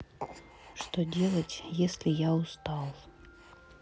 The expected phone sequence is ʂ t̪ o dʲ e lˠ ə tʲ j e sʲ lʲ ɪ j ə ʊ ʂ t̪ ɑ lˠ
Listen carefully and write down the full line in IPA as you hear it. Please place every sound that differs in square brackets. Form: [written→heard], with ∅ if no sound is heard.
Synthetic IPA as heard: ʂ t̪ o dʲ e lˠ ə tʲ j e sʲ lʲ ɪ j [ə→a] ʊ [ʂ→s] t̪ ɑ lˠ